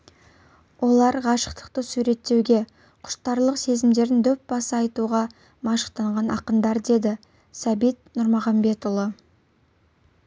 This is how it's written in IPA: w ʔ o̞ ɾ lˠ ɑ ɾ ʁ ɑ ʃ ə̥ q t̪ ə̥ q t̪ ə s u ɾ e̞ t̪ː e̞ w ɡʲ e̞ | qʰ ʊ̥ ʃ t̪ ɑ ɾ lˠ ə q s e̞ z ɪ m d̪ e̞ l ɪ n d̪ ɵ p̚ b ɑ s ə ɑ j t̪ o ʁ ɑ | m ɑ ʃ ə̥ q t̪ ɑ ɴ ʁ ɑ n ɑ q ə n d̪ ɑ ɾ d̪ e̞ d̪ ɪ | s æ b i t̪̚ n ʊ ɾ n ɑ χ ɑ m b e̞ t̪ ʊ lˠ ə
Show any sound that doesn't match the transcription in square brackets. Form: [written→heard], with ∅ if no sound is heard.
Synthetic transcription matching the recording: w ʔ o̞ [ɾ→∅] lˠ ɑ ɾ ʁ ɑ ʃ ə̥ q t̪ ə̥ q t̪ ə s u ɾ e̞ t̪ː e̞ w ɡʲ e̞ | qʰ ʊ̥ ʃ t̪ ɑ ɾ lˠ ə q s e̞ z ɪ m d̪ e̞ [l→ɾ] ɪ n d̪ ɵ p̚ b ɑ s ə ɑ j t̪ [o→u] ʁ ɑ | m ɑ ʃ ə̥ q t̪ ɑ ɴ ʁ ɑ n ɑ q ə n d̪ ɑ ɾ d̪ e̞ d̪ ɪ | s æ b i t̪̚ n ʊ ɾ [n→m] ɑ [χ→ʁ] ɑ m b e̞ t̪ ʊ lˠ ə